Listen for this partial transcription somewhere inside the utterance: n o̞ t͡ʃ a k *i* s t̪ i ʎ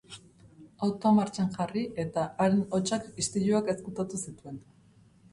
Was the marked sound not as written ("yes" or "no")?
no